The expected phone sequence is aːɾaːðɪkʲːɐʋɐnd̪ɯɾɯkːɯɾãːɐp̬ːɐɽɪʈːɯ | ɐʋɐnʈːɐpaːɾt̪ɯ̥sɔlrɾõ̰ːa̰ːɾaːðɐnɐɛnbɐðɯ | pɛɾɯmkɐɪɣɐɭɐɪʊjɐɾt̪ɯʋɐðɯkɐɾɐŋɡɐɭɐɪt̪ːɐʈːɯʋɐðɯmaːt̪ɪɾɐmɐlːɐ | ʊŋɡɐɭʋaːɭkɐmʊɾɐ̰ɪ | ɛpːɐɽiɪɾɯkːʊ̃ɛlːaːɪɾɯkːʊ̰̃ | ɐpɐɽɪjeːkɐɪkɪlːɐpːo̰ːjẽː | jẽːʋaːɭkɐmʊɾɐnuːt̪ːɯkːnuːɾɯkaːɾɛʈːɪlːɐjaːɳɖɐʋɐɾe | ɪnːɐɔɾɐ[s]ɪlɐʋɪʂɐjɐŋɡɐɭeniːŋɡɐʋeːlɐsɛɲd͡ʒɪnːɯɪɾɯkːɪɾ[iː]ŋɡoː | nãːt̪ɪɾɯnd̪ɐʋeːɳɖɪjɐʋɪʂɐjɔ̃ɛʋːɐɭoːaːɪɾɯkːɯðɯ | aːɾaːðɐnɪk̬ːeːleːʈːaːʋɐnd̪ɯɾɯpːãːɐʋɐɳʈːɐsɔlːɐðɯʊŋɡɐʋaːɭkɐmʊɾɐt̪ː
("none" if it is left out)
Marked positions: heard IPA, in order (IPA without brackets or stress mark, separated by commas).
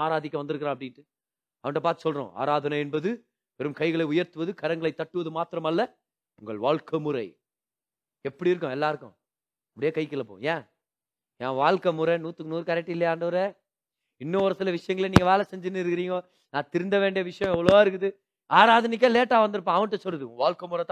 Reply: s, iː